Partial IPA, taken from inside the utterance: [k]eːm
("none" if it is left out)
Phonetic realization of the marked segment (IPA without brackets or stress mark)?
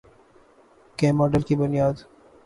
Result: k